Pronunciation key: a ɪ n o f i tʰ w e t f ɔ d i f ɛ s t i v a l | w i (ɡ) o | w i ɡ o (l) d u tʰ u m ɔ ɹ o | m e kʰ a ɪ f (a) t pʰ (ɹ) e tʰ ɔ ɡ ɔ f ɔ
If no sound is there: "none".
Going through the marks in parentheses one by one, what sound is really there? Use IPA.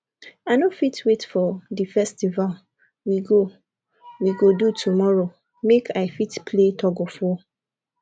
ɡ, none, i, l

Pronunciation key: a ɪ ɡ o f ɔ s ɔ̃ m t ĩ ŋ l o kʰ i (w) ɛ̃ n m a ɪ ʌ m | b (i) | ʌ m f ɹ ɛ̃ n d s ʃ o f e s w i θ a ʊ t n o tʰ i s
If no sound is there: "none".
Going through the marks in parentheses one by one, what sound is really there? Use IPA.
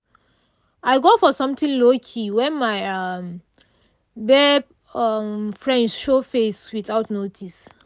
w, ɛ

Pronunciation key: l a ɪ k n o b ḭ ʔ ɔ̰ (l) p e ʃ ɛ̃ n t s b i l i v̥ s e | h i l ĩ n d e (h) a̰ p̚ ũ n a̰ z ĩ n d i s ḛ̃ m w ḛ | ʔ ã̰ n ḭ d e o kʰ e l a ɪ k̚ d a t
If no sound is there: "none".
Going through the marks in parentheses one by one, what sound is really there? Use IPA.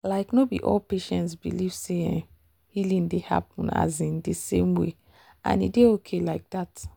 l, h

